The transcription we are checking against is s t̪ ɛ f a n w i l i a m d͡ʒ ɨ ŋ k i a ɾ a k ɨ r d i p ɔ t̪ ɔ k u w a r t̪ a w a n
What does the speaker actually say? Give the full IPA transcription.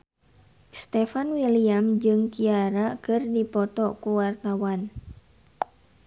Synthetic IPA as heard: s t̪ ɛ f a n w i l i a m d͡ʒ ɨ ŋ k i a ɾ a k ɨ r d i p ɔ t̪ ɔ k u w a r t̪ a w a n

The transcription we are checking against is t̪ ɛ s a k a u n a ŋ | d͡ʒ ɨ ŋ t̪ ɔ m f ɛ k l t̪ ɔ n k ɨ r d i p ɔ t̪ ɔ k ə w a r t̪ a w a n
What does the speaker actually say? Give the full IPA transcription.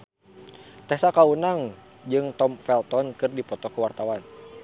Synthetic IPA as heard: t̪ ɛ s a k a u n a ŋ | d͡ʒ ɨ ŋ t̪ ɔ m f ɛ l t̪ ɔ n k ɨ r d i p ɔ t̪ ɔ k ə w a r t̪ a w a n

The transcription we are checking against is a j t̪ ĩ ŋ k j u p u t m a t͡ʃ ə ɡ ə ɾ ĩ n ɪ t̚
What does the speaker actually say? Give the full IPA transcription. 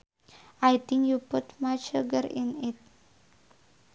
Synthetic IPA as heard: a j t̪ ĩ ŋ k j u p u t m a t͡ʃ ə ɡ ə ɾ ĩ n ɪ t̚

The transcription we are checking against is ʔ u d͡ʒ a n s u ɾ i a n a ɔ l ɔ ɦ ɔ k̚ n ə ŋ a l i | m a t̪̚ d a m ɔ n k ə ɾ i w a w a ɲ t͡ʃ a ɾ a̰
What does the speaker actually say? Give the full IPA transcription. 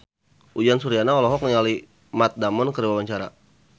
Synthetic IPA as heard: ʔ u d͡ʒ a n s u ɾ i a n a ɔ l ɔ ɦ ɔ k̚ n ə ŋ a l i | m a t̪̚ d a m ɔ n k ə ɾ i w a w a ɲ t͡ʃ a ɾ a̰

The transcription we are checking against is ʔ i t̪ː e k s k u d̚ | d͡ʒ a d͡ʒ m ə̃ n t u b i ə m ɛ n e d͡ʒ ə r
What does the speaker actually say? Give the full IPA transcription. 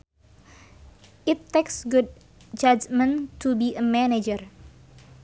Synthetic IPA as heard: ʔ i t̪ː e k s ɡ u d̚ | d͡ʒ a d͡ʒ m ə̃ n t u b i ə m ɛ n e d͡ʒ ə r

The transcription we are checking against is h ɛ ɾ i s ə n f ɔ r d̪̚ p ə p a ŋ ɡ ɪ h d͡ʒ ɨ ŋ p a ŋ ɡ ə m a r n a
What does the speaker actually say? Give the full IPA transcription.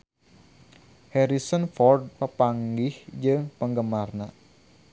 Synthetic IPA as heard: h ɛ ɾ i s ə n f ɔ r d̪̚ p ə p a ŋ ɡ ɪ h d͡ʒ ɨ ŋ p ə ŋ ɡ ə m a r n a

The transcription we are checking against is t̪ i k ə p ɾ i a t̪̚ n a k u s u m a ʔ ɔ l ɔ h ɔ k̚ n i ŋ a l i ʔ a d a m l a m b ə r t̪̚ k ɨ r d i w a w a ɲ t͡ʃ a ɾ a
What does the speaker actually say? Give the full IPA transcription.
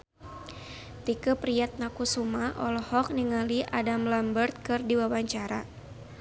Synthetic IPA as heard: t̪ i k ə p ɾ i a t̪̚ n a k u s u m a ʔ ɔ l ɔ h ɔ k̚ n i ŋ a l i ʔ a d a m l a m b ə r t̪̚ k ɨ r d i w a w a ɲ t͡ʃ a ɾ a

